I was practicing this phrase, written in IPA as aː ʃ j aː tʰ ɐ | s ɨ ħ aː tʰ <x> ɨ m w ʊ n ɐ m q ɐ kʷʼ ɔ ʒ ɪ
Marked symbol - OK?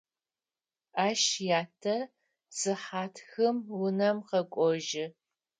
yes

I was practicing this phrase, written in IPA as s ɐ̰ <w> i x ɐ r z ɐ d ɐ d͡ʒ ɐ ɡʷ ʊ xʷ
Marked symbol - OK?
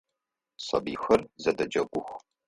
no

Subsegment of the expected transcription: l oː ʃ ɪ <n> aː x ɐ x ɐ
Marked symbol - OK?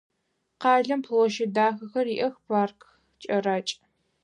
no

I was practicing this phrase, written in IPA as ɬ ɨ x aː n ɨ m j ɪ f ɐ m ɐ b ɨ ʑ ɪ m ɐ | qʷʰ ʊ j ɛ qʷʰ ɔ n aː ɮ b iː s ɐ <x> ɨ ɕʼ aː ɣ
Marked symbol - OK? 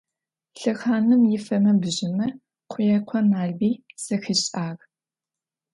yes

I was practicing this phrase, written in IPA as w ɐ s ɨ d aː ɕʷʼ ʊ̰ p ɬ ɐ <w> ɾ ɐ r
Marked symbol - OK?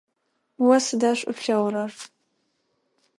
yes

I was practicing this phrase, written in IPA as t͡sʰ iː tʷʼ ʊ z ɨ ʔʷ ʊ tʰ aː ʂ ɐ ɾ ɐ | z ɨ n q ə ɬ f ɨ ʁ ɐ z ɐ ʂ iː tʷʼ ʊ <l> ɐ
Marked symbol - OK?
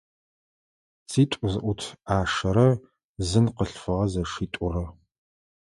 no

